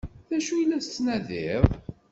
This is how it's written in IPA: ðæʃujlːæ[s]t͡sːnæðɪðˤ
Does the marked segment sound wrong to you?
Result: no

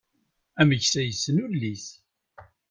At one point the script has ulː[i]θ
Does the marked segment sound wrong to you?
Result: no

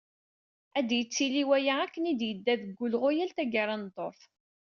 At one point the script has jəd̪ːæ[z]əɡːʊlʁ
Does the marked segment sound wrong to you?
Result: yes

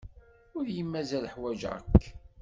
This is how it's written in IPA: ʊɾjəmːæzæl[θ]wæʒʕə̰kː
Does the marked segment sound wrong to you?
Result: yes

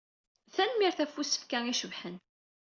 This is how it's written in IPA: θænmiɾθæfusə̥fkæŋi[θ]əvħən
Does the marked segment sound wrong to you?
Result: yes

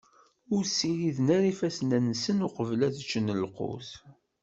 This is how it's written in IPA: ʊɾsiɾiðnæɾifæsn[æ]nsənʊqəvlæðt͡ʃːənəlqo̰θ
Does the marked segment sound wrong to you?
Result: no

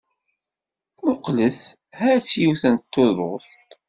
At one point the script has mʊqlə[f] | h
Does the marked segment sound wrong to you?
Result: yes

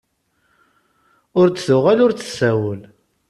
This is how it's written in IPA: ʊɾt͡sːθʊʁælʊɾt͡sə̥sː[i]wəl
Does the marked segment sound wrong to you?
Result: yes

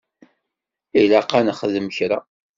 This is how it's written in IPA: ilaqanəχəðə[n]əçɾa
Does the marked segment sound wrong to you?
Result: yes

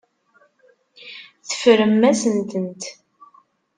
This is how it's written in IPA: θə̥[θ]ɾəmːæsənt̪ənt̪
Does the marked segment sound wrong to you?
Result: yes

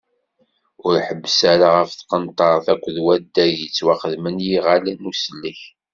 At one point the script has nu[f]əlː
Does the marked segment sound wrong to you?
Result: yes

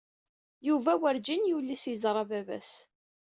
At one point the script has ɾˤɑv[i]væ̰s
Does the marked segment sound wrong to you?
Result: yes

